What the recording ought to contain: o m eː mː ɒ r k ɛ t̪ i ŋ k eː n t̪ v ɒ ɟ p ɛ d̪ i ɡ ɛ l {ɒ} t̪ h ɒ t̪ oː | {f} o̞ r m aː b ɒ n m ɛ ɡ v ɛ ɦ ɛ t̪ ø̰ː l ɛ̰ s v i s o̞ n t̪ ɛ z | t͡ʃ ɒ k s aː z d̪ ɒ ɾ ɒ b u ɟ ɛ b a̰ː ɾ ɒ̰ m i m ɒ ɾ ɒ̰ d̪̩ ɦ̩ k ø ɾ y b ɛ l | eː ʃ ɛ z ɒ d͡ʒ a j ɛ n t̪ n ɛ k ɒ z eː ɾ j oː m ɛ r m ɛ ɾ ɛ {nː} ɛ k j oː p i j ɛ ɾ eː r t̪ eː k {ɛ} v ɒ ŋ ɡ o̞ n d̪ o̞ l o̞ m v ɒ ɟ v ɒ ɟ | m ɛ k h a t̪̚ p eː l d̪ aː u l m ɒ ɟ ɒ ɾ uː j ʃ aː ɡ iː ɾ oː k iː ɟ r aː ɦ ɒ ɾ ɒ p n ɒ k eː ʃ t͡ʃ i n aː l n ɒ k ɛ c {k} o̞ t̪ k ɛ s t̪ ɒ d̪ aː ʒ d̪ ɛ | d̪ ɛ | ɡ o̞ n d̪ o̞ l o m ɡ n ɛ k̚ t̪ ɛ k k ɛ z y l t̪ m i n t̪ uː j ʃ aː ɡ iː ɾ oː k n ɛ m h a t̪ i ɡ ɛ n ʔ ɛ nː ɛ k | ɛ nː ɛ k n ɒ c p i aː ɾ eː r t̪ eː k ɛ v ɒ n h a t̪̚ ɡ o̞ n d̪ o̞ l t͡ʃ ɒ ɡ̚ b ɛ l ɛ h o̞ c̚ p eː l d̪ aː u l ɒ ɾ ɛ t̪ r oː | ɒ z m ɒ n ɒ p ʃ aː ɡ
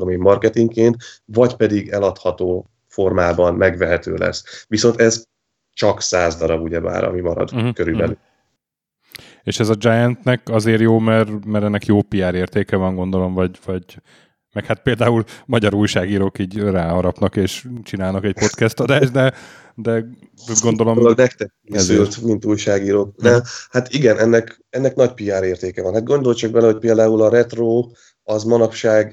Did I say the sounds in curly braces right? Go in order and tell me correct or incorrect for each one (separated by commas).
correct, correct, correct, correct, incorrect